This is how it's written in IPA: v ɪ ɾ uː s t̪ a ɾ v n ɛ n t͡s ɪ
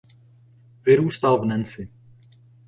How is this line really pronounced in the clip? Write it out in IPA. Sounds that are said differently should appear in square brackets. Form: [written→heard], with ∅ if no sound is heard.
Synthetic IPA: v ɪ ɾ uː s t̪ a [ɾ→l] v n ɛ n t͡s ɪ